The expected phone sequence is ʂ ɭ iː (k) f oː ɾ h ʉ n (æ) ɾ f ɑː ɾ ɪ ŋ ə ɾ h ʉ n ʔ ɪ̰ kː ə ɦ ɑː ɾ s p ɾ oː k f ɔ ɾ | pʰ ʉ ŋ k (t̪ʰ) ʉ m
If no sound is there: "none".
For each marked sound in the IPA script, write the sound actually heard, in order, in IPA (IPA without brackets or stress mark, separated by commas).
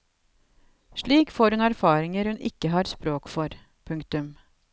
k, æ, t̪